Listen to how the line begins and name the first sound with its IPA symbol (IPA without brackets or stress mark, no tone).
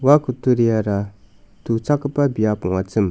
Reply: w